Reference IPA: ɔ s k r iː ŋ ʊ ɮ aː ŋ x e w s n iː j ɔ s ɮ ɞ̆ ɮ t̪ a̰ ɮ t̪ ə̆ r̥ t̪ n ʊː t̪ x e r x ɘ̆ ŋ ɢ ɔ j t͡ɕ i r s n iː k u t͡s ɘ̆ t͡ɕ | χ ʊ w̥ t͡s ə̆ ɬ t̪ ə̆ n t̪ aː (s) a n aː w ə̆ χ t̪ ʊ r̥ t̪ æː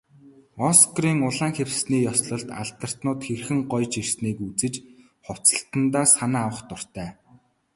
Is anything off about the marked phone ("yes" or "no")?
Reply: no